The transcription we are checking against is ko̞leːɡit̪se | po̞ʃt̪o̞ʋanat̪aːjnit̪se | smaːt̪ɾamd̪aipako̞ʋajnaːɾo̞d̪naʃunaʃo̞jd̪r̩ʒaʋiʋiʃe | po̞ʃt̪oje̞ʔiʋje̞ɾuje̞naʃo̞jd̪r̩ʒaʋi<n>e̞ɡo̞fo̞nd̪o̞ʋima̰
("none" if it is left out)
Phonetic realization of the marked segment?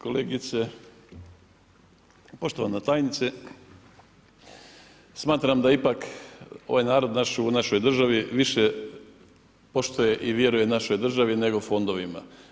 n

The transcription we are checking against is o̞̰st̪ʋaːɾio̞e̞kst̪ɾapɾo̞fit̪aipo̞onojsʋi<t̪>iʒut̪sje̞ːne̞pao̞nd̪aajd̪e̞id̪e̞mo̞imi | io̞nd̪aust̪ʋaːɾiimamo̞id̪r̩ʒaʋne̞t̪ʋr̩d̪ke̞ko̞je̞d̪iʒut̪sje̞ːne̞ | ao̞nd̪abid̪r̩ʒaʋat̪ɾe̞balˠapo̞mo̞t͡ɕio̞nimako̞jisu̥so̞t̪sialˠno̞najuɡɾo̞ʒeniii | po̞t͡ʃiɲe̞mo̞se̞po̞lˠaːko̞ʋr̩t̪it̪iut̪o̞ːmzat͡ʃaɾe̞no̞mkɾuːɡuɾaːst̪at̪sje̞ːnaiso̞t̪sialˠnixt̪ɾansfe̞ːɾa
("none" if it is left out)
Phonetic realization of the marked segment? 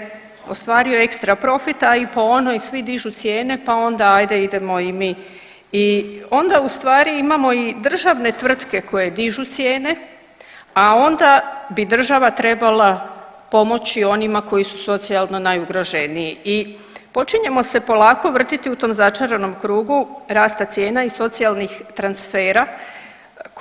d̪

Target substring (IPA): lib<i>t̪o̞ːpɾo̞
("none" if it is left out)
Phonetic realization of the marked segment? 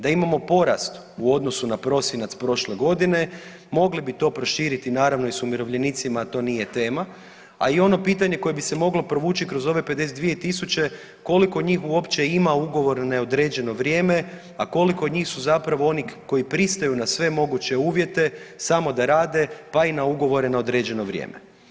i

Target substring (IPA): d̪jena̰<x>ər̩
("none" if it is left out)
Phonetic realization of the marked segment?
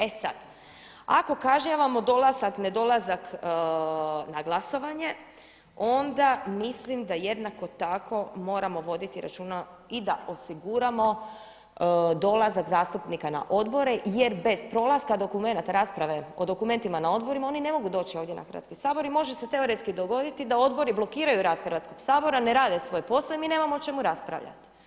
x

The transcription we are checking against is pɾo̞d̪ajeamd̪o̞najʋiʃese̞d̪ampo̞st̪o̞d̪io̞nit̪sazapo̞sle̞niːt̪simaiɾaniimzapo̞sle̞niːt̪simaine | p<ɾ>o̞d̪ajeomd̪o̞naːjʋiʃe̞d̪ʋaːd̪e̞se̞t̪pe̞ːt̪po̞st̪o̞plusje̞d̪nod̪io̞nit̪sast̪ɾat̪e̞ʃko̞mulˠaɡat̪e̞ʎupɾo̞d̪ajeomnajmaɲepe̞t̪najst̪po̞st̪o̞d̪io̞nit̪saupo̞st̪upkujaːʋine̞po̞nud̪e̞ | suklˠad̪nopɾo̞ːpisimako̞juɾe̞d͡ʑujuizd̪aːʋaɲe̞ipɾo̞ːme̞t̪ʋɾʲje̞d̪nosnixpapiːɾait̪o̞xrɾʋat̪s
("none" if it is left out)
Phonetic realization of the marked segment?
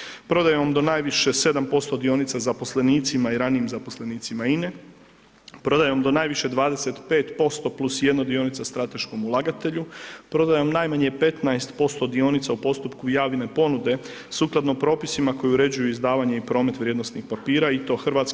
ɾ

